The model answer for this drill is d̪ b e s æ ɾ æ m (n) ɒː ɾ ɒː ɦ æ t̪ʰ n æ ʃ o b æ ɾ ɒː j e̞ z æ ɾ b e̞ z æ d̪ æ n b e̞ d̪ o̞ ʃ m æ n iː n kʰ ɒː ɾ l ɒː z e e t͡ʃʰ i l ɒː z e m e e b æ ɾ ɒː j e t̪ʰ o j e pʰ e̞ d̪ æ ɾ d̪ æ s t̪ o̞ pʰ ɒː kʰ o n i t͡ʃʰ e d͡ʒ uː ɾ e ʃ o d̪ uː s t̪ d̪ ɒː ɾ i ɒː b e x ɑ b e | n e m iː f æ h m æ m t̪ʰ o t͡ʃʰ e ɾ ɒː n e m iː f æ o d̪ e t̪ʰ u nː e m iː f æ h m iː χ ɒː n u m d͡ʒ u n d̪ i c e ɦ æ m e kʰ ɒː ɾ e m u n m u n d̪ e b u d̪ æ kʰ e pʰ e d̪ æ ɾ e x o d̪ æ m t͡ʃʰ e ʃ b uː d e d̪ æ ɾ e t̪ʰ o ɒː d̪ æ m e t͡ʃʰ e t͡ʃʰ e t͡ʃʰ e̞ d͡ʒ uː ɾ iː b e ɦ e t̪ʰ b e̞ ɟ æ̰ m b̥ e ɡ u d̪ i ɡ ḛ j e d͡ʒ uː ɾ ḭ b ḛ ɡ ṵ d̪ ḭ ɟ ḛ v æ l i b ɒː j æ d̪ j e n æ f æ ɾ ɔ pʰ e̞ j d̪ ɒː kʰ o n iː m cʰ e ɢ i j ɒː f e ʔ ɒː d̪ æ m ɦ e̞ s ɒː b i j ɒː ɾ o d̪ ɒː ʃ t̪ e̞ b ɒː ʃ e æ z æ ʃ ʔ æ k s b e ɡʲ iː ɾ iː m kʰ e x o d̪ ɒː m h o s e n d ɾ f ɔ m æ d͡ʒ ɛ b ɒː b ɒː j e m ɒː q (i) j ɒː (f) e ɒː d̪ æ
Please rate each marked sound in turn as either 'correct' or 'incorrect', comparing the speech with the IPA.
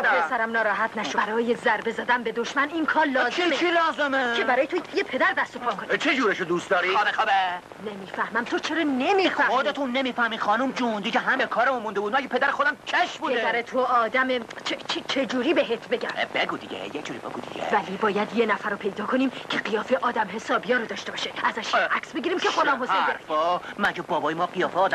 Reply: correct, correct, correct

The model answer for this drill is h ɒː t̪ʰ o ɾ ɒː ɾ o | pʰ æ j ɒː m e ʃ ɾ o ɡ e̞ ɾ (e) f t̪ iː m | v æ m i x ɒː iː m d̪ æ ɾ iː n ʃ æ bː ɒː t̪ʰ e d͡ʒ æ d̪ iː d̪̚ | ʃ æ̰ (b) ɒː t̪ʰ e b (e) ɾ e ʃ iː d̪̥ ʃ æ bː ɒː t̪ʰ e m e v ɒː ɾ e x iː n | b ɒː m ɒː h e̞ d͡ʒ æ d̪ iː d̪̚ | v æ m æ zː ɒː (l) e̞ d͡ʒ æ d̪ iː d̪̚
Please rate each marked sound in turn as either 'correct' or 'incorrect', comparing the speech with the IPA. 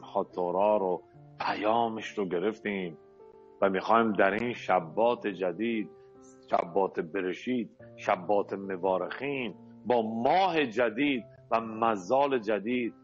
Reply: correct, incorrect: bː, correct, correct

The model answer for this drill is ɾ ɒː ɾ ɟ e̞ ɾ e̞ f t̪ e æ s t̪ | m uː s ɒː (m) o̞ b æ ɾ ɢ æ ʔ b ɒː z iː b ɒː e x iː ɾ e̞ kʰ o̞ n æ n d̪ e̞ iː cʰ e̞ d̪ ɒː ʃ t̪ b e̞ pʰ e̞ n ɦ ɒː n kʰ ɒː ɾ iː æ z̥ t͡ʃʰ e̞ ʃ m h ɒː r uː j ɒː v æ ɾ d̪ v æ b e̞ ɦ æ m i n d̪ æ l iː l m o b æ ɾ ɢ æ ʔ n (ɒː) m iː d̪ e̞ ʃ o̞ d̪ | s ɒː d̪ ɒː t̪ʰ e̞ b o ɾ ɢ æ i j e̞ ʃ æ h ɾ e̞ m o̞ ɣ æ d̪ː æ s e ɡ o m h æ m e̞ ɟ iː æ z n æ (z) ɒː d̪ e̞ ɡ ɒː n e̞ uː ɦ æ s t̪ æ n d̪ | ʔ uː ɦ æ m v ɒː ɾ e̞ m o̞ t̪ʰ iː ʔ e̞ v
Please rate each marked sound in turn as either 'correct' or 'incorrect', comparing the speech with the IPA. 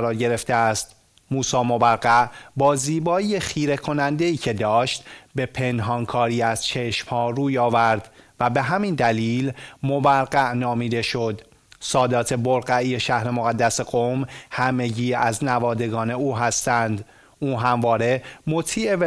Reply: correct, correct, incorrect: v

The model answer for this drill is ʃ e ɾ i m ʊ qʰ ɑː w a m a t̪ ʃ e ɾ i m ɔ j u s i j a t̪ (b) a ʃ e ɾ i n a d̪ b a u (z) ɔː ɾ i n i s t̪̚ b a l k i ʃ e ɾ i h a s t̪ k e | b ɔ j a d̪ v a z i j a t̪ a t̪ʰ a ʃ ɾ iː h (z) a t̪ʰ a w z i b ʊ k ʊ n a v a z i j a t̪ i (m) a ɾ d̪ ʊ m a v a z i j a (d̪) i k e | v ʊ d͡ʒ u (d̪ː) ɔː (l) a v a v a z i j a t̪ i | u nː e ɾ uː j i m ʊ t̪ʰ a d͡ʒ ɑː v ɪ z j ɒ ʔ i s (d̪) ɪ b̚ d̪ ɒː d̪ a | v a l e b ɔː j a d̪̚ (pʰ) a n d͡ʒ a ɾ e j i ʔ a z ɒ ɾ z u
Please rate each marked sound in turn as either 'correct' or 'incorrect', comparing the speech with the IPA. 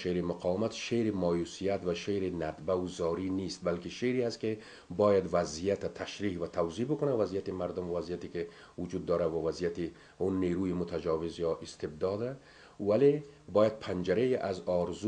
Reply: incorrect: v, correct, incorrect: v, correct, incorrect: t̪, correct, incorrect: ɾ, incorrect: t̪, correct

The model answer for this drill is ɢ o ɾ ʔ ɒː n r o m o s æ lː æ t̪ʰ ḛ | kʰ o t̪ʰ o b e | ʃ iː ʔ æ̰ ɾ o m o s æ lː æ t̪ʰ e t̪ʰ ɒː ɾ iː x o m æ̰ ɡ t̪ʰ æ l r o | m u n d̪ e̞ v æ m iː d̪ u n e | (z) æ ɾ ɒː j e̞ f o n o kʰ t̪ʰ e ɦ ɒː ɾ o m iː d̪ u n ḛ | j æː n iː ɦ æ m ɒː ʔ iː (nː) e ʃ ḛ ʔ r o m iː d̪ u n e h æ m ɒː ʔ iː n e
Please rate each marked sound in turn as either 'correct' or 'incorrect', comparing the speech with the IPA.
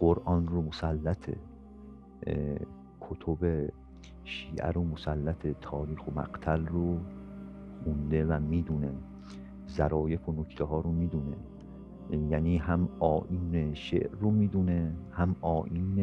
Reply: correct, incorrect: n

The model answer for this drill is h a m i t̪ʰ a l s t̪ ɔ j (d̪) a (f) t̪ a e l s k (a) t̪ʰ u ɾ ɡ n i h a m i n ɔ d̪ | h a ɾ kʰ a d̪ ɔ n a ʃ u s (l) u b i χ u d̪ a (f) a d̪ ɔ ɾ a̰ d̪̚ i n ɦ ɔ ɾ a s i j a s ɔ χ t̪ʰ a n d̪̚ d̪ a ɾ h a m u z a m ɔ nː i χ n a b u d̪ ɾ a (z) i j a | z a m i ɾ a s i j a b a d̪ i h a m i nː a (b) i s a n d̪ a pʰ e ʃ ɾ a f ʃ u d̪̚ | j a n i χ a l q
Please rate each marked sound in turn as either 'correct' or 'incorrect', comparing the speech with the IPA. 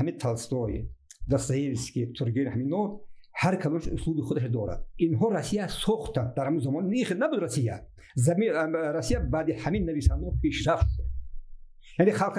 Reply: correct, incorrect: s, incorrect: i, correct, incorrect: ʃ, incorrect: s, incorrect: v

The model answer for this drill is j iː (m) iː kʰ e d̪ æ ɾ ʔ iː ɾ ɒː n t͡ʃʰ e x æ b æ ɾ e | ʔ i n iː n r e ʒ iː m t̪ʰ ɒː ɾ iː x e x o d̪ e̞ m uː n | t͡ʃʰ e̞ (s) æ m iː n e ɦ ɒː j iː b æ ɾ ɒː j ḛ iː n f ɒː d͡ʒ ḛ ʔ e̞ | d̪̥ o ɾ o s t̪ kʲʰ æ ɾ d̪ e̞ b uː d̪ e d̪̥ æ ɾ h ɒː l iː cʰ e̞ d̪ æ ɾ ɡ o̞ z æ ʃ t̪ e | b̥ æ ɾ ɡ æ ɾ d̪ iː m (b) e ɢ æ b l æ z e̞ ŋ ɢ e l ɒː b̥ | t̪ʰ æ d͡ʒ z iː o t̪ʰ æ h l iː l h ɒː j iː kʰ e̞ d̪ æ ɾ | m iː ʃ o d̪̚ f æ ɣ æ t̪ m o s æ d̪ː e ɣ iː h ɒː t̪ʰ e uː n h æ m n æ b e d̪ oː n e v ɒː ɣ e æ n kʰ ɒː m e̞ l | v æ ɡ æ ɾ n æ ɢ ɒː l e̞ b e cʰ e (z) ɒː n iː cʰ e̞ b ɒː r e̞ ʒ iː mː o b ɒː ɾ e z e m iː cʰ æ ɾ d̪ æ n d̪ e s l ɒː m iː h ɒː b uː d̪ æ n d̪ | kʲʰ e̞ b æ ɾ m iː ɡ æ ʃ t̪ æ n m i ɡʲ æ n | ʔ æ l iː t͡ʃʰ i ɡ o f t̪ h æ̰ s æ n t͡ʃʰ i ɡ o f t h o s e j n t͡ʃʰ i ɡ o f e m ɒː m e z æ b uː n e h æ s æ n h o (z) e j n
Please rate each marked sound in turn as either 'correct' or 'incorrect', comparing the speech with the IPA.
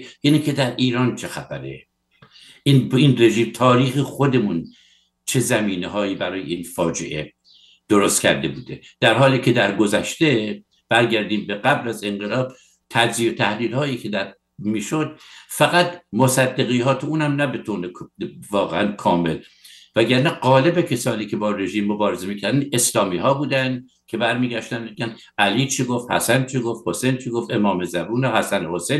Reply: incorrect: n, incorrect: z, correct, incorrect: s, incorrect: s

